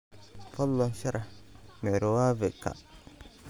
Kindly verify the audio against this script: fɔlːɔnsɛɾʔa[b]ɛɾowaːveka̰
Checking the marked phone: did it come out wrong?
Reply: yes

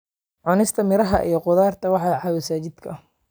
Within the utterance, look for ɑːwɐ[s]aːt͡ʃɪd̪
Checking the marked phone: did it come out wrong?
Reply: no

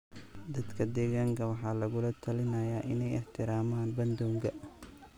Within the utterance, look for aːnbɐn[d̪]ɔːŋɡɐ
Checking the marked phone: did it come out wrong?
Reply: no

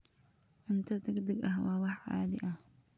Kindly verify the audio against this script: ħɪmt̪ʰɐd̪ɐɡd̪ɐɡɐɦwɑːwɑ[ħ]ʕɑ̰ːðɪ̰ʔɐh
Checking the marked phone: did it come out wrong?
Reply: no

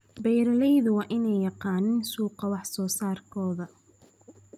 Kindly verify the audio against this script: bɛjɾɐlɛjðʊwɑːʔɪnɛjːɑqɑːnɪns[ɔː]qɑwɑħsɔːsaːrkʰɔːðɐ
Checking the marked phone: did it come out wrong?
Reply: yes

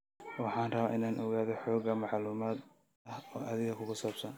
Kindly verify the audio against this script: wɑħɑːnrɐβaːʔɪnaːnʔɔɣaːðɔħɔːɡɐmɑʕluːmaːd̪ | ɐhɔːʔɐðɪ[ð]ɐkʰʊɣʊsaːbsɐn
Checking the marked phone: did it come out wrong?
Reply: yes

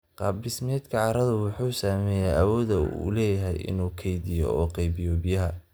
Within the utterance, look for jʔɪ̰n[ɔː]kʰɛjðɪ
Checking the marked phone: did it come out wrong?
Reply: yes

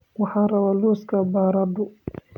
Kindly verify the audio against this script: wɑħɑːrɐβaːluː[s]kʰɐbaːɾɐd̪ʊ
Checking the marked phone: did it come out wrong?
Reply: no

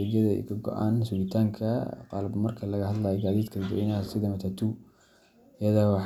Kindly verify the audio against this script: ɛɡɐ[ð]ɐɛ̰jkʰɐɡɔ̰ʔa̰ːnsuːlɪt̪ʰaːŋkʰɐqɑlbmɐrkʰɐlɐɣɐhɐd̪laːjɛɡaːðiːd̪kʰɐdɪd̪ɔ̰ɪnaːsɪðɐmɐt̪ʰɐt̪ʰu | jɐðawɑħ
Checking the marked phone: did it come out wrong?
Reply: no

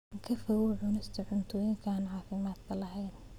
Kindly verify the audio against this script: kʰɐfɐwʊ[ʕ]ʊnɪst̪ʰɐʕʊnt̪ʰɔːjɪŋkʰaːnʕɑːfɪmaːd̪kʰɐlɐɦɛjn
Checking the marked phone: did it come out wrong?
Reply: no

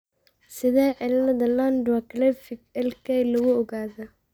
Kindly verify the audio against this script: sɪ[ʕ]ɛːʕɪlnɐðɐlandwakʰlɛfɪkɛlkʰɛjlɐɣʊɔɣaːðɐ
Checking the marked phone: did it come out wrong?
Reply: yes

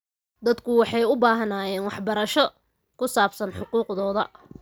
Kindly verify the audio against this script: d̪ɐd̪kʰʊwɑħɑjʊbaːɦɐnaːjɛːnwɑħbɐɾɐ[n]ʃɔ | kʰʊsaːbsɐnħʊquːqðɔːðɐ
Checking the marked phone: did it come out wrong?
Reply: yes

